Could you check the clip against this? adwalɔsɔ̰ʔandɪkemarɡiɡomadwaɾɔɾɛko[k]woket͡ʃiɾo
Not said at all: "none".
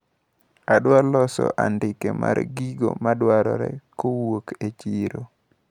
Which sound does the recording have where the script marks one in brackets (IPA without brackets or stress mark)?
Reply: none